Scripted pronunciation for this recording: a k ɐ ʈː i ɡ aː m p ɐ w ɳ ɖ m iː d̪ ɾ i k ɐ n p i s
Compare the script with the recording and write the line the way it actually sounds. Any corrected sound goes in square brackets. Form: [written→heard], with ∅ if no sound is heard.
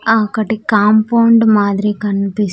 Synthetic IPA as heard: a k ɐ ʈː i [ɡ→k] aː m p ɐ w ɳ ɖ m [iː→aː] d̪ ɾ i k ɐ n p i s